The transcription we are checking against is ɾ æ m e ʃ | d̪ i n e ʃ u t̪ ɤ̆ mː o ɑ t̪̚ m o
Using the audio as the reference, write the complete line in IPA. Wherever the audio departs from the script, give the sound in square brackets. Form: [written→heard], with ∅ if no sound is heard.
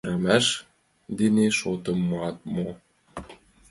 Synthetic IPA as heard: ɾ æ m [e→æ] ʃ | d̪ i n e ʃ [u→o] t̪ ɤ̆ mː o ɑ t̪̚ m o

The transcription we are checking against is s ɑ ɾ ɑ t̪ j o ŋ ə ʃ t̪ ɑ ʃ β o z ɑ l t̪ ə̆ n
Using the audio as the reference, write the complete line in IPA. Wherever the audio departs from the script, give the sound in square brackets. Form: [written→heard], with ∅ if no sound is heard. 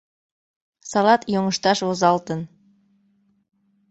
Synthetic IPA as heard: s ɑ [ɾ→l] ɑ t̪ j o ŋ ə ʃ t̪ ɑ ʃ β o z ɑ l t̪ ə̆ n

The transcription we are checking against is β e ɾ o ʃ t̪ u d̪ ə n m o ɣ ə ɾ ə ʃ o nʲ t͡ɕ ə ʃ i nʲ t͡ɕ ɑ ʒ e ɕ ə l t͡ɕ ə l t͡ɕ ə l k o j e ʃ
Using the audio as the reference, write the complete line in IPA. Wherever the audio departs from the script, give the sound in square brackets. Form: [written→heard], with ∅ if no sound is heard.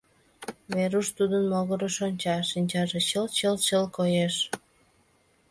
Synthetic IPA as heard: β e ɾ [o→u] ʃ t̪ u d̪ ə n m o ɣ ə ɾ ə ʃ o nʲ t͡ɕ [ə→ɑ] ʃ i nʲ t͡ɕ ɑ ʒ e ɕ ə l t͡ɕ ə l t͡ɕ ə l k o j e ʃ

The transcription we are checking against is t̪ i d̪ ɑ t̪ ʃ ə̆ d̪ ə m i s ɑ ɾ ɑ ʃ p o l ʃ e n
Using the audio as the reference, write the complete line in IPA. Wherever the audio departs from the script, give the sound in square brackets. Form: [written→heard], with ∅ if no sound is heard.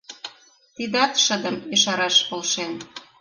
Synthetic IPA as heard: t̪ i d̪ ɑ t̪ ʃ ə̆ d̪ ə m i [s→ʃ] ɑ ɾ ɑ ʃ p o l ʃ e n

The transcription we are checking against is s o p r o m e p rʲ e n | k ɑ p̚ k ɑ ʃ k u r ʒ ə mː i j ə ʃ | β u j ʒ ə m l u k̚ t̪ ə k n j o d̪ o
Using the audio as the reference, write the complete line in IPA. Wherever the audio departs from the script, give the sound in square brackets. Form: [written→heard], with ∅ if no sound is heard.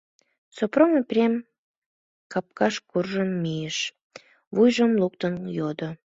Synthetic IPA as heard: s o p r o m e p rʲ e [n→m] | k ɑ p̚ k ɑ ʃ k u r ʒ ə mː i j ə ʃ | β u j ʒ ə m l u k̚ t̪ ə [k→∅] n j o d̪ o

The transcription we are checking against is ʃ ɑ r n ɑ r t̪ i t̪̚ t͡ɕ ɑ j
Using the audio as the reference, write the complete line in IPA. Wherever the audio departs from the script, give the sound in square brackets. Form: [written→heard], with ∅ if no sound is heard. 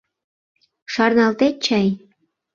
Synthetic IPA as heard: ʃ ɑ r n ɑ [r→l] t̪ [i→e] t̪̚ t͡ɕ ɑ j

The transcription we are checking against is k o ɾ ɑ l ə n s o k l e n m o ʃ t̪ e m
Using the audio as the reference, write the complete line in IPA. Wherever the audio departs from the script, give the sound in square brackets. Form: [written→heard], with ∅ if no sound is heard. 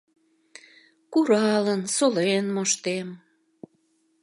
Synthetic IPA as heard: k [o→u] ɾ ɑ l ə n s o [k→∅] l e n m o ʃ t̪ e m

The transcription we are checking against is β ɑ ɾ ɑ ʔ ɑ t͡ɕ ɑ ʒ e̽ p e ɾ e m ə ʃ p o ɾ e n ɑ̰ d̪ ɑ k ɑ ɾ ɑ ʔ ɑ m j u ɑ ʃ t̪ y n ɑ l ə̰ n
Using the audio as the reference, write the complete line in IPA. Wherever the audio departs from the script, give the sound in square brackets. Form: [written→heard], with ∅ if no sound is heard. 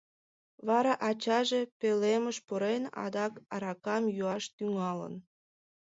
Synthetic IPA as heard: β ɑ ɾ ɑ ʔ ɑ t͡ɕ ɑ ʒ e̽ p e [ɾ→l] e m ə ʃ p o ɾ e n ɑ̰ d̪ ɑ k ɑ ɾ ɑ [ʔ→k] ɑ m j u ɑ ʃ t̪ y [n→ŋ] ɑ l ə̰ n

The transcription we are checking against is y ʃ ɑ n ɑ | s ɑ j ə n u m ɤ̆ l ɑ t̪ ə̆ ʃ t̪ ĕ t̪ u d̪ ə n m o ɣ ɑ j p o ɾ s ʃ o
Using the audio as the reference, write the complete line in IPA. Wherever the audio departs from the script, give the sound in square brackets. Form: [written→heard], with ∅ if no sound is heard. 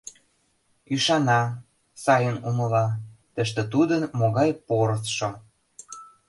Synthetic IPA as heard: y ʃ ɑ n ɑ | s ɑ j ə n u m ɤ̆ l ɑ t̪ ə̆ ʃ t̪ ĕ t̪ u d̪ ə n m o ɣ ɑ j p o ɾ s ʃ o

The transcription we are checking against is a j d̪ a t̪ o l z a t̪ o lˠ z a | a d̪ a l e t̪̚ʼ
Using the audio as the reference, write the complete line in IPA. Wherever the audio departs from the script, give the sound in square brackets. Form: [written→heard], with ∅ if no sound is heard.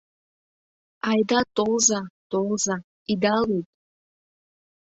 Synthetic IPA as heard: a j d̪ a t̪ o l z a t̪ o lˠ z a | [a→i] d̪ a l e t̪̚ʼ

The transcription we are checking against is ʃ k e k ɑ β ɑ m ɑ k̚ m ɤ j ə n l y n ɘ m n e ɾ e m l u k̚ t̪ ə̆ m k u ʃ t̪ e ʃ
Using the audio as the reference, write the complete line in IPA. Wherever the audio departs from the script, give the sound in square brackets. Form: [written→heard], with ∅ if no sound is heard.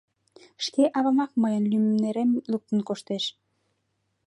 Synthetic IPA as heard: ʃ k e [k→ʔ] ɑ β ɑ m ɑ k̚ m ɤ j ə n l y [n→m] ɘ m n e ɾ e m l u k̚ t̪ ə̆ [m→n] k [u→o] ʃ t̪ e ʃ

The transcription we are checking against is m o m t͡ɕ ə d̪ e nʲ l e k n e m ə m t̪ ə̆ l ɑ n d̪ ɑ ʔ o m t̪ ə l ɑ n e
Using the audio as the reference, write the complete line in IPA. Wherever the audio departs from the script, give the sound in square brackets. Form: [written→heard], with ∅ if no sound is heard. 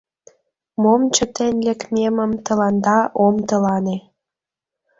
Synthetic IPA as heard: m o m t͡ɕ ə [d̪→t̪] e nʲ l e k [n→m] e m ə m t̪ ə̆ l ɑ n d̪ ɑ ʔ o m t̪ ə l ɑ n e

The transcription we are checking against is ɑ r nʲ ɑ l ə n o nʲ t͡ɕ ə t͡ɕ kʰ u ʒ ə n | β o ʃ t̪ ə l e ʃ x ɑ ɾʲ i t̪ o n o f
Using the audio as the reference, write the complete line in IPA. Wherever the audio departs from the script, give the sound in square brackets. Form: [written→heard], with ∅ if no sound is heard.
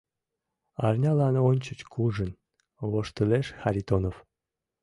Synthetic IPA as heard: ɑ r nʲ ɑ l [ə→ɑ] n o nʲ t͡ɕ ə t͡ɕ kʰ u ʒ ə n | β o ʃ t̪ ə l e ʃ x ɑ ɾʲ i t̪ o n o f

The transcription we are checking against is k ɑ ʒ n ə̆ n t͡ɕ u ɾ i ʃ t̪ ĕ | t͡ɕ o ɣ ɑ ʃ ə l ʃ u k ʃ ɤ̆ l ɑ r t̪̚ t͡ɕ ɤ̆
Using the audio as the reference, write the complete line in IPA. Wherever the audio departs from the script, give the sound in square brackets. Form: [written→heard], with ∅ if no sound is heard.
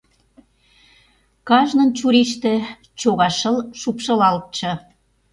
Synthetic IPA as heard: k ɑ ʒ n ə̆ n t͡ɕ u ɾ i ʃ t̪ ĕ | t͡ɕ o ɣ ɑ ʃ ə l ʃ u [k→p] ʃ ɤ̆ l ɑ [r→l] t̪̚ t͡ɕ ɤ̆

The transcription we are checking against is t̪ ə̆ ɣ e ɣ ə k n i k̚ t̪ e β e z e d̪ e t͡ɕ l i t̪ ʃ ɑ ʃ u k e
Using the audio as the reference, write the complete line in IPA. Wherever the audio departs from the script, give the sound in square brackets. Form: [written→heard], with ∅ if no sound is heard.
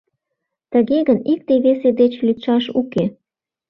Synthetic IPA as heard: t̪ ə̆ ɣ e ɣ ə [k→∅] n i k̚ t̪ e β e [z→s] e d̪ e t͡ɕ l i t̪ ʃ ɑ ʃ u k e

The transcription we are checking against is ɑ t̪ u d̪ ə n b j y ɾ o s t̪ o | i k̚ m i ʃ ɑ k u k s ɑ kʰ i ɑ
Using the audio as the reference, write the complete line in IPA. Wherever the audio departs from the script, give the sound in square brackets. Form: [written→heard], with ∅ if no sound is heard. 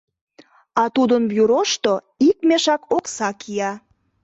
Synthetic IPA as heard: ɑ t̪ u d̪ ə n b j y ɾ o [s→ʃ] t̪ o | i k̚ m [i→e] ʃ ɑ k [u→o] k s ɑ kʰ i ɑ

